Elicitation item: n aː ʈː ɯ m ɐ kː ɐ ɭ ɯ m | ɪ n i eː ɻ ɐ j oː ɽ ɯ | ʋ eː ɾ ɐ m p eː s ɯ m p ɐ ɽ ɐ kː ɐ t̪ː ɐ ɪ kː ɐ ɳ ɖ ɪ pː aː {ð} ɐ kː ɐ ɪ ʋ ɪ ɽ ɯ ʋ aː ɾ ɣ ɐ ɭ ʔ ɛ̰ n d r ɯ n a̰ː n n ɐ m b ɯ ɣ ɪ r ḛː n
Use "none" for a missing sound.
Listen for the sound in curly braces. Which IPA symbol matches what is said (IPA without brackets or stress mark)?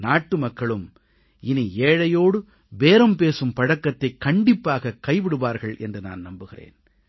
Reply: ɣ